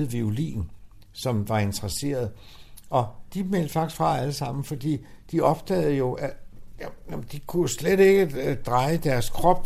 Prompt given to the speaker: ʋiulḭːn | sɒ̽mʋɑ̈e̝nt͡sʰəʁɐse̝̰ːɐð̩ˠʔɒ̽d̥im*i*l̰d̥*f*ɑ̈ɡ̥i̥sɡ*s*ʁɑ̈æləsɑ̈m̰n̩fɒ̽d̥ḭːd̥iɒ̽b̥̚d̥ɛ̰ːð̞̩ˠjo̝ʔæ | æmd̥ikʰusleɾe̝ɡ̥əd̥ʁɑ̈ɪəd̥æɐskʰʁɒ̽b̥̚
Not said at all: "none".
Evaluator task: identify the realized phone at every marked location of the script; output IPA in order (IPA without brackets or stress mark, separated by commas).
e, f, f